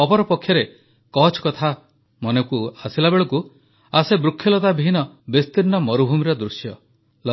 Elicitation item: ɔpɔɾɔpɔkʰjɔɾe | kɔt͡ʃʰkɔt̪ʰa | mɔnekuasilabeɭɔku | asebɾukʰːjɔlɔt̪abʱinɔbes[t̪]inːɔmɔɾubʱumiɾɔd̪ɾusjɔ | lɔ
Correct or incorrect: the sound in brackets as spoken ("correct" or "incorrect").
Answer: correct